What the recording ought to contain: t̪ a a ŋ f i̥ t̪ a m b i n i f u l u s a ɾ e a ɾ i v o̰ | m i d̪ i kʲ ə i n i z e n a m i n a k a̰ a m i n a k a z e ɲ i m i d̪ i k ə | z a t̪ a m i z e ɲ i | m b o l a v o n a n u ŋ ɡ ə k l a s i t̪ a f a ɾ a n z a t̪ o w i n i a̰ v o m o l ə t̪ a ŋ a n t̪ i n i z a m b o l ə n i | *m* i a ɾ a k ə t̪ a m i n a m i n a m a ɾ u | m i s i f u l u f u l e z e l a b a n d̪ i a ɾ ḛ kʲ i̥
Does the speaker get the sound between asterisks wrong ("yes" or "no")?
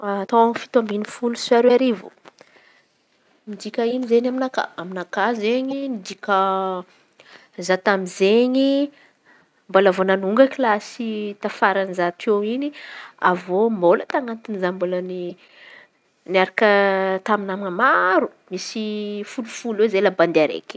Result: yes